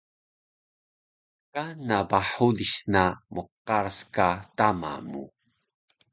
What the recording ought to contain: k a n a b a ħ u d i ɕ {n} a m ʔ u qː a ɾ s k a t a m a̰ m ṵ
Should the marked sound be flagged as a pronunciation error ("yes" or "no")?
no